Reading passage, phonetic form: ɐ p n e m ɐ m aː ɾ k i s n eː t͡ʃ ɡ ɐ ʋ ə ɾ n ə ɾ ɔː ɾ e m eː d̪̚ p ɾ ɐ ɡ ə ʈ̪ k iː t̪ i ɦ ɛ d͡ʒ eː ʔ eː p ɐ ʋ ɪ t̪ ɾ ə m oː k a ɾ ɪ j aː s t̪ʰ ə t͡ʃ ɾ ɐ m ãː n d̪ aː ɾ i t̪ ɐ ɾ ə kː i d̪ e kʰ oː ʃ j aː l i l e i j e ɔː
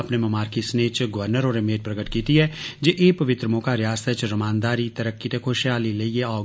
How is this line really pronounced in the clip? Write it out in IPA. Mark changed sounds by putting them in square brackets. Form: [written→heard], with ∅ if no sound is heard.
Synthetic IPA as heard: ɐ p n e m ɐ m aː ɾ k i s n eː t͡ʃ ɡ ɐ ʋ ə ɾ n ə ɾ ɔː ɾ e m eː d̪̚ p ɾ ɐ ɡ ə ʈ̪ k iː t̪ i ɦ ɛ d͡ʒ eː ʔ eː p ɐ ʋ ɪ t̪ ɾ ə m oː k a ɾ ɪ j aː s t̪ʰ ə t͡ʃ ɾ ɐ m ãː n d̪ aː ɾ i t̪ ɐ ɾ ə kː i [d̪→t̪] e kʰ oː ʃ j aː l i l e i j e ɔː